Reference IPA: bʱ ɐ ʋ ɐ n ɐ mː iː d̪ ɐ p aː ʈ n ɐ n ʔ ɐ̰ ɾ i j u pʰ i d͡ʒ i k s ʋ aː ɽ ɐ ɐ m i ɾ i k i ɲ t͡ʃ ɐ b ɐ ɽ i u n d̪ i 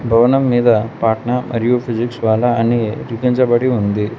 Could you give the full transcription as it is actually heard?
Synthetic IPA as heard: bʱ ɐ ʋ ɐ n ɐ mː iː d̪ ɐ p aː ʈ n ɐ m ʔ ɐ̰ ɾ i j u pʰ i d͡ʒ i k s ʋ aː l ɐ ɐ n i ɾ i k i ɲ t͡ʃ ɐ b ɐ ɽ i u n d̪ i